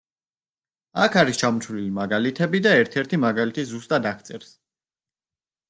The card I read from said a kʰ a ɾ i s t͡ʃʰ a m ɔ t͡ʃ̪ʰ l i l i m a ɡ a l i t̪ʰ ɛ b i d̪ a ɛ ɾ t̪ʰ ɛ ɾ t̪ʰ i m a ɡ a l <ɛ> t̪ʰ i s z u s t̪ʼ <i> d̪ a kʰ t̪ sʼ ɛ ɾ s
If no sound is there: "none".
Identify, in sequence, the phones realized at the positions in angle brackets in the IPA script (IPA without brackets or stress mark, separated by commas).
i, a